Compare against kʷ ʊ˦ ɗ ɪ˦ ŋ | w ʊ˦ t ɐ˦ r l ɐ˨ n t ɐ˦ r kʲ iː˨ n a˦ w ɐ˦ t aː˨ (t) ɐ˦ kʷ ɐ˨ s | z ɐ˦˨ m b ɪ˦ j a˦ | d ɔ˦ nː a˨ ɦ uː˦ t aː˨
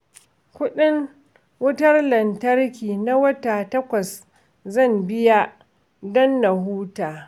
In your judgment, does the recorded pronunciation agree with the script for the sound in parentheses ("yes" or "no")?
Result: yes